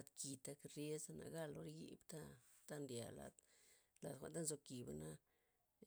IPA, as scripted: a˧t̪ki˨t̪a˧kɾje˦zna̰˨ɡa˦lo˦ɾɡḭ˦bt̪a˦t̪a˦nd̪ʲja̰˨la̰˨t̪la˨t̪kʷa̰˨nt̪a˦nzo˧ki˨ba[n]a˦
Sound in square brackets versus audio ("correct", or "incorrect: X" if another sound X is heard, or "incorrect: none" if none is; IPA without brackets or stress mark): correct